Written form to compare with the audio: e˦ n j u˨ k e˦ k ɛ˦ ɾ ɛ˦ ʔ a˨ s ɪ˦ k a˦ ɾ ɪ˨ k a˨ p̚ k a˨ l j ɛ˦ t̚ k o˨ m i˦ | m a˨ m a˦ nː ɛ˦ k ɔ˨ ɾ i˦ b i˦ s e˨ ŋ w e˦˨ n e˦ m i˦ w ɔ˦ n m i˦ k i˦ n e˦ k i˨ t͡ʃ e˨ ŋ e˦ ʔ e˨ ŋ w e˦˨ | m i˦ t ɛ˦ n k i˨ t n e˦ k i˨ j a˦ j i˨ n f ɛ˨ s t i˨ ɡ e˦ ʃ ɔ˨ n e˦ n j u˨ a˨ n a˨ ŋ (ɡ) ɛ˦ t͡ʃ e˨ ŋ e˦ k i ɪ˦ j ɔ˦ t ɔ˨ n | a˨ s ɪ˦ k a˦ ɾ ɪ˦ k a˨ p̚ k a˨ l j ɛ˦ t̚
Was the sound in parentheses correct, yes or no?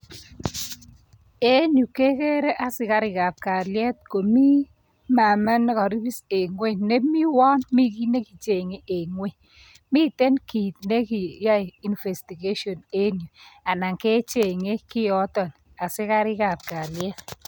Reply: no